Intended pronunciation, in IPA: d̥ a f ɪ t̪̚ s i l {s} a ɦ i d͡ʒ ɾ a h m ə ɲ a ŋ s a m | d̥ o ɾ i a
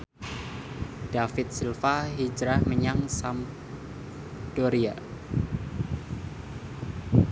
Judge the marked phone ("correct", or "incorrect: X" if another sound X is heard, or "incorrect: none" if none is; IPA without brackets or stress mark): incorrect: f